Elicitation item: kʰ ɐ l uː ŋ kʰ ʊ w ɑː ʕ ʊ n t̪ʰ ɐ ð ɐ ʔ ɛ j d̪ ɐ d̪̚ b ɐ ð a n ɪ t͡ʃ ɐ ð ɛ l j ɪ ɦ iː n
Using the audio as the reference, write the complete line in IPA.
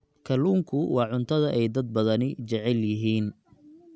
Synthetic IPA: kʰ ɐ l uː ŋ kʰ ʊ w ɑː ʕ ʊ n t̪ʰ ɐ ð ɐ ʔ ɛ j d̪ ɐ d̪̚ b ɐ ð ɐ n ɪ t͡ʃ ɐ ʕ ɛ l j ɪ ɦ iː n